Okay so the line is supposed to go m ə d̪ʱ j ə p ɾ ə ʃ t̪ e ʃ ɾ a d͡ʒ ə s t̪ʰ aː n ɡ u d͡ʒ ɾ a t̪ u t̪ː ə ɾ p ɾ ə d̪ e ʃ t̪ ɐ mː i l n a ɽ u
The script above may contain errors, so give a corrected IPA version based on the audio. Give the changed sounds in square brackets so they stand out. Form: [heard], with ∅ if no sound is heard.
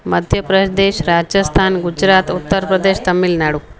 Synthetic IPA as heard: m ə d̪ʱ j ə p ɾ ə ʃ [d̪] e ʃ ɾ a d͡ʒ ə s t̪ʰ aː n ɡ u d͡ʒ ɾ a t̪ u t̪ː ə ɾ p ɾ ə d̪ e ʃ t̪ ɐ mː i l n a ɽ u